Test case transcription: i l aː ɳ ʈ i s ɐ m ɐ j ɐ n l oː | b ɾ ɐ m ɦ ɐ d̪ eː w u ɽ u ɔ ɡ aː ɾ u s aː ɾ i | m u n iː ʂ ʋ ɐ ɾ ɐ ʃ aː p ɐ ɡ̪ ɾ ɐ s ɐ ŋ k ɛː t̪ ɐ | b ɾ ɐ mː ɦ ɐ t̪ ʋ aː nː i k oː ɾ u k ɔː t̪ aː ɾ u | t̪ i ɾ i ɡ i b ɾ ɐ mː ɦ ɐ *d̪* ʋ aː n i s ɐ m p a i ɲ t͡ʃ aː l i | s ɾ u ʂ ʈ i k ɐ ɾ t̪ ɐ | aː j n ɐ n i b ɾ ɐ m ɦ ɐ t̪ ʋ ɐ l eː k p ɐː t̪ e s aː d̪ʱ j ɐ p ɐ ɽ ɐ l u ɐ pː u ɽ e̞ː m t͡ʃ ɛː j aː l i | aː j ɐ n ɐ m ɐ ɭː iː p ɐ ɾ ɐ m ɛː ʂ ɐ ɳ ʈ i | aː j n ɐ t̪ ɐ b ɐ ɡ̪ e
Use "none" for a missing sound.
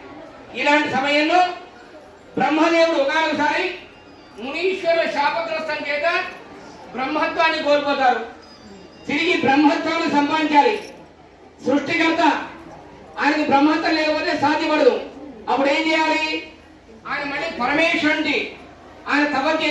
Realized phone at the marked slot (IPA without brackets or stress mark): t̪